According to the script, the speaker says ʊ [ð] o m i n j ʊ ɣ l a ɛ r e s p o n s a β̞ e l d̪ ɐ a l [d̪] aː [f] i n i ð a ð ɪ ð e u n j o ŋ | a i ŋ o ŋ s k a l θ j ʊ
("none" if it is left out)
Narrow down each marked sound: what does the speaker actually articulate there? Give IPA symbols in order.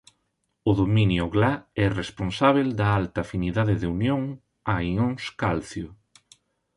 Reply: ð, t̪, f

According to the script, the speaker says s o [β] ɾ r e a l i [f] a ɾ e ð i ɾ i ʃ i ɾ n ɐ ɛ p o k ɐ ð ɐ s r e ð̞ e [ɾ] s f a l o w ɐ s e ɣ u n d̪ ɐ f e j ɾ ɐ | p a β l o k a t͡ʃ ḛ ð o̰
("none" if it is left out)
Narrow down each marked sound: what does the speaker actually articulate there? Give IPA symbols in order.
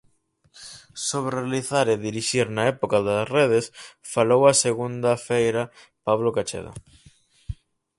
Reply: β, θ, none

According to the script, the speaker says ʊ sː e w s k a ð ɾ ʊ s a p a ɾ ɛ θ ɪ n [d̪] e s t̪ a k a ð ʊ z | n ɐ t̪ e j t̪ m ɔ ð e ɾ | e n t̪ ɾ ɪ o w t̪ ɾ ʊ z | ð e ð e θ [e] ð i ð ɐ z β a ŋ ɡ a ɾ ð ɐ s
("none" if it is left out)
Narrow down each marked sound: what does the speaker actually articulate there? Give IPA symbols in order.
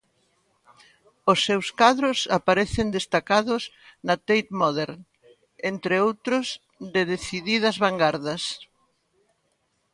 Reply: d̪, i

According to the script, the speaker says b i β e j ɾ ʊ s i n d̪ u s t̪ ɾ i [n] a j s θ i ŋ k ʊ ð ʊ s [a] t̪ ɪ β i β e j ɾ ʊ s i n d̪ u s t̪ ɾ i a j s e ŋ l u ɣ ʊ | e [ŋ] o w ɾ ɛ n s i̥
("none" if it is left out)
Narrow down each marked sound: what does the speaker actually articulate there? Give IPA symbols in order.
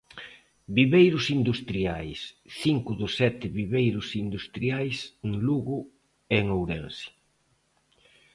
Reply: none, ɛ, ŋ

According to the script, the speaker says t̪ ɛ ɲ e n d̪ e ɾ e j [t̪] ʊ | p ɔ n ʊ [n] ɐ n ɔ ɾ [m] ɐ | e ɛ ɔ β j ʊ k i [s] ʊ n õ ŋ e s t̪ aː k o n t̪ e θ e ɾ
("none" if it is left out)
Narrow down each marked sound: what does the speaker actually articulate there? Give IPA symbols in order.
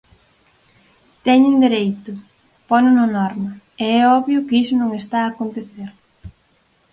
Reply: t̪, n, m, s

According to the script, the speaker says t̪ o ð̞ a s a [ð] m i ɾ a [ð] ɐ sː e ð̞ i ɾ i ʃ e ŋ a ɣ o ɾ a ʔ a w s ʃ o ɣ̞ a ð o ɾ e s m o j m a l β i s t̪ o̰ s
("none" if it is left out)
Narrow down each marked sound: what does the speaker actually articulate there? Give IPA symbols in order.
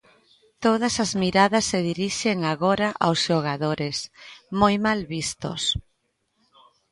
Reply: z, ð

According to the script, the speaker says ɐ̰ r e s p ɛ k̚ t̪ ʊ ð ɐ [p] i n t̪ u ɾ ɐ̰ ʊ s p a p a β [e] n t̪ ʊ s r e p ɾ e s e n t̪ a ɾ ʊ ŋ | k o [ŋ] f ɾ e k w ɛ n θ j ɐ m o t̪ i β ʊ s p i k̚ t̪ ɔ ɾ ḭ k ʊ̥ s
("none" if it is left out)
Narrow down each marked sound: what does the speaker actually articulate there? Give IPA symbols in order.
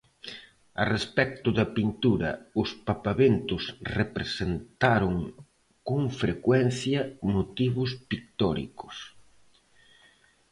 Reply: p, e, ŋ

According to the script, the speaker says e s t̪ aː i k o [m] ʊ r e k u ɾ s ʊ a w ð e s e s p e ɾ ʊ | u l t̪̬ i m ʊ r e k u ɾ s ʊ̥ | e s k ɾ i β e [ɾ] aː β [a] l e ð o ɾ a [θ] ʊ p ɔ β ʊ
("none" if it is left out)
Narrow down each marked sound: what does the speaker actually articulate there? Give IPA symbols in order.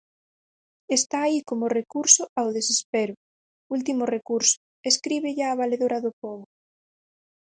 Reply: m, ʎ, a, ð

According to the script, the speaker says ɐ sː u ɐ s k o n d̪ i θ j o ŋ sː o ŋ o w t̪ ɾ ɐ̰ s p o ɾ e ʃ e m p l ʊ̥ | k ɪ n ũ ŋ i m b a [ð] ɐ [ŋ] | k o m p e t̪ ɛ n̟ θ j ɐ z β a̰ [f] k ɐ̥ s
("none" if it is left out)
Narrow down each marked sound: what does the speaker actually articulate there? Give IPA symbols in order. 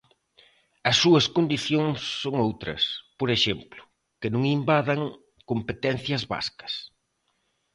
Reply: ð, ŋ, s

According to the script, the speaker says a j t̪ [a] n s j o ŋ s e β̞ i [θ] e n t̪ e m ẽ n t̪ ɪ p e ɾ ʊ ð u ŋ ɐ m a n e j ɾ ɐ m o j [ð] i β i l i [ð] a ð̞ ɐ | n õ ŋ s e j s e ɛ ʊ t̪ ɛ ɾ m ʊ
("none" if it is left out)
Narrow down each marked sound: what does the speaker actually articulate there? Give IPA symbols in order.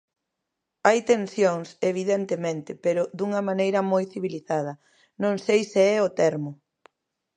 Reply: e, ð, θ, θ

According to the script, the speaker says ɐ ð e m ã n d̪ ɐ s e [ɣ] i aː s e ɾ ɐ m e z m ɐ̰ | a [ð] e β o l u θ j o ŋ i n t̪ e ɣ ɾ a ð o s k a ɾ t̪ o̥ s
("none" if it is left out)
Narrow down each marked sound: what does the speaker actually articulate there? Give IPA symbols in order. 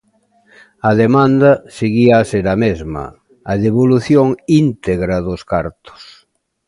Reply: ɣ, ð

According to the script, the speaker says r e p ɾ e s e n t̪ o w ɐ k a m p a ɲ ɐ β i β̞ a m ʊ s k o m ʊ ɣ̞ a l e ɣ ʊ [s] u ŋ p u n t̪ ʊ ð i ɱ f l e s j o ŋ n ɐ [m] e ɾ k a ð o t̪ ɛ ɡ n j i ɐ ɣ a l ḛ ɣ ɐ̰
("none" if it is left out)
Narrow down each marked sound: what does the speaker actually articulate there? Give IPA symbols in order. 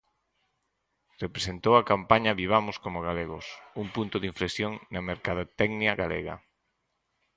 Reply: s, m

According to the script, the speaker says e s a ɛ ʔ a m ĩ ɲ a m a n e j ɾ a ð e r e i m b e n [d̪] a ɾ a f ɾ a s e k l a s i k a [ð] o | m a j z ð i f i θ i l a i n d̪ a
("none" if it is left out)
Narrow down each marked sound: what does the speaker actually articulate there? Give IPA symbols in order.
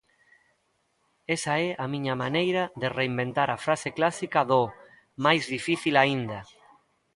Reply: t̪, ð

